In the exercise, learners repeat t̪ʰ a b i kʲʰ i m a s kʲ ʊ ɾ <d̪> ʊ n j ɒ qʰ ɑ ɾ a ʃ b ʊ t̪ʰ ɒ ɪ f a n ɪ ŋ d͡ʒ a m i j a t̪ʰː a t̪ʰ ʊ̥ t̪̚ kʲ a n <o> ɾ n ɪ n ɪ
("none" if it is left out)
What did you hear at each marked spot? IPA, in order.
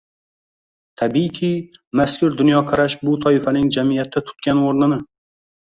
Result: d̪, o

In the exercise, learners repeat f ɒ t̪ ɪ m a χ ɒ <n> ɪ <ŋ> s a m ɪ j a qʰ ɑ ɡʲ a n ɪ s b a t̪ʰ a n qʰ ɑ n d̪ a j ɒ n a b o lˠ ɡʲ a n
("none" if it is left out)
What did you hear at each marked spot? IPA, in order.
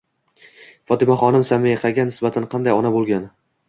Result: n, m

